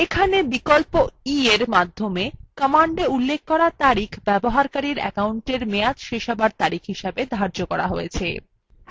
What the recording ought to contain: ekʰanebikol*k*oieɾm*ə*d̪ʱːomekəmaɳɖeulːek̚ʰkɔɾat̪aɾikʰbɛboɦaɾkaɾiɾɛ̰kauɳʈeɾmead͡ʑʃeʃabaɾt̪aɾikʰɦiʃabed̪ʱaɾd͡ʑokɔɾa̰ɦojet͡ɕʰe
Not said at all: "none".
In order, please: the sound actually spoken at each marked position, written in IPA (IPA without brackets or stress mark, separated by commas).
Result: p, a